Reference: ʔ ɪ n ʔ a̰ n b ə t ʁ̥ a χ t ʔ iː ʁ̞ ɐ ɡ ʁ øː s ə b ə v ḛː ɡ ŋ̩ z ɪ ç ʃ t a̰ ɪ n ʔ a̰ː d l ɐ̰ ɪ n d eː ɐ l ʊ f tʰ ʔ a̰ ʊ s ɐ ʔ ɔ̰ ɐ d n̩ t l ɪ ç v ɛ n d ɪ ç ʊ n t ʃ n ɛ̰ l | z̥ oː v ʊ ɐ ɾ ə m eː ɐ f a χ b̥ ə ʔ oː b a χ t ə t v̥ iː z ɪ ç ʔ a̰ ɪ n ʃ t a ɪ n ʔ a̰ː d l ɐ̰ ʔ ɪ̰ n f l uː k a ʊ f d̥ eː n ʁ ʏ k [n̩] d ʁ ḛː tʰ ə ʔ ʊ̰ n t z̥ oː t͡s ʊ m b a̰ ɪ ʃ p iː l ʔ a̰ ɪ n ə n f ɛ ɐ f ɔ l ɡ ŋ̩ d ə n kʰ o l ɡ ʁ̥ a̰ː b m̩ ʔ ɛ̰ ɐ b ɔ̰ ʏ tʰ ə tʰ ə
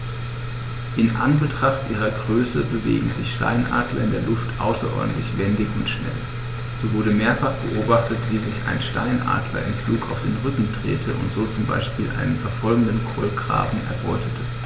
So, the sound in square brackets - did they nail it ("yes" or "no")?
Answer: no